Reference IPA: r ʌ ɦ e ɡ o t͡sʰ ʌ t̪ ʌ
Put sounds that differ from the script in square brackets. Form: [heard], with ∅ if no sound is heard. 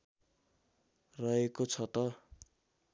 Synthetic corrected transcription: r ʌ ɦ e [k] o t͡sʰ ʌ t̪ ʌ